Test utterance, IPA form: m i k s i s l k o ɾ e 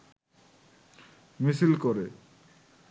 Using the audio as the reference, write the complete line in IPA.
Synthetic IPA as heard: m i s i l k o ɾ e

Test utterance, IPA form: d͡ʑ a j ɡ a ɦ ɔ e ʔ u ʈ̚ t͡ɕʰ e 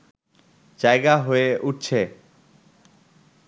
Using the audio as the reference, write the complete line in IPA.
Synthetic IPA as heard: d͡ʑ a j ɡ a ɦ o e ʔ u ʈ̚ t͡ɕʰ e

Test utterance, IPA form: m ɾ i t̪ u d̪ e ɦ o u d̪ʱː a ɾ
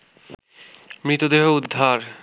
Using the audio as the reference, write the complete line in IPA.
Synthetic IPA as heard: m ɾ i t̪ o d̪ e ɦ o u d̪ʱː a ɾ

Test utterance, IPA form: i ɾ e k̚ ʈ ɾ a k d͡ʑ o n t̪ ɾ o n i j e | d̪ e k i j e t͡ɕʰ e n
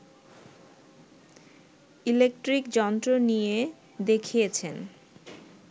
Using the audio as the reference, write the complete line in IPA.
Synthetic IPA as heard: i l e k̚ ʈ ɾ i k d͡ʑ ɔ n t̪ ɾ o n i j e | d̪ e kʰ i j e t͡ɕʰ e n

